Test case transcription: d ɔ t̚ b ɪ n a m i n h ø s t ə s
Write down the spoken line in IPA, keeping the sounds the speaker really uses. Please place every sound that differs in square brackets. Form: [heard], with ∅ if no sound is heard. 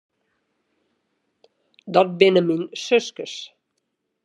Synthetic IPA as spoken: d ɔ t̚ b ɪ n [ə] m i n [s] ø s [k] ə s